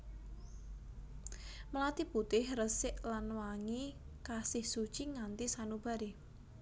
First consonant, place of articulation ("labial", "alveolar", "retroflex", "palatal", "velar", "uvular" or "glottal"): labial